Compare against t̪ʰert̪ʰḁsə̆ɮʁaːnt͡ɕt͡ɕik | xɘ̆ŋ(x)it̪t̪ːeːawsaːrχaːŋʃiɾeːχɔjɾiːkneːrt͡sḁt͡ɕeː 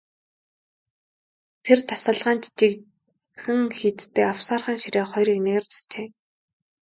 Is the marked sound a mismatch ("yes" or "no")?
no